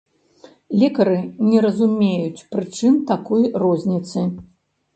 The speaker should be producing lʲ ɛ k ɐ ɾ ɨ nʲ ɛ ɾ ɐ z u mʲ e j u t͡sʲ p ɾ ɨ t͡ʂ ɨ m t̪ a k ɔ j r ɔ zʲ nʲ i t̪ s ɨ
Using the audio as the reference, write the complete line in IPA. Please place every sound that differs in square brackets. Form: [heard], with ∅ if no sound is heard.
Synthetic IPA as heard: lʲ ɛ k ɐ ɾ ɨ nʲ ɛ ɾ ɐ z u mʲ e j u t͡sʲ p ɾ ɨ t͡ʂ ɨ m t̪ a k ɔ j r ɔ zʲ nʲ i t̪ s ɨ